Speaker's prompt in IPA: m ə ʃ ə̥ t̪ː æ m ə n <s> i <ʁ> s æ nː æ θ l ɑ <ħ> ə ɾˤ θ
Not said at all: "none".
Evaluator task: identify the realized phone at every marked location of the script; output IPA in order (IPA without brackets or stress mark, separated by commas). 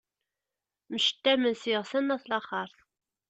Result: s, ʁ, χ